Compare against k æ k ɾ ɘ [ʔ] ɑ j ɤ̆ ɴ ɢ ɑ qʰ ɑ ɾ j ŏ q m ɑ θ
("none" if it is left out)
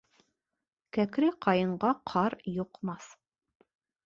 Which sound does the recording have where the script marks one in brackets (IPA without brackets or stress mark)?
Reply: q